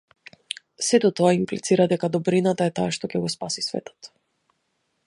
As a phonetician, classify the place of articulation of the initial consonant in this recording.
alveolar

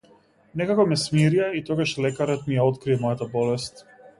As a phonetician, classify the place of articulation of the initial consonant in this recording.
alveolar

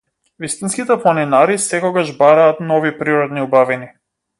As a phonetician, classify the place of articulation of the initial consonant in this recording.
labial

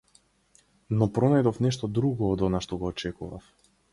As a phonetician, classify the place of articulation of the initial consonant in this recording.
alveolar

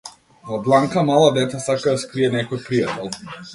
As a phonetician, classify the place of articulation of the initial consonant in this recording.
labial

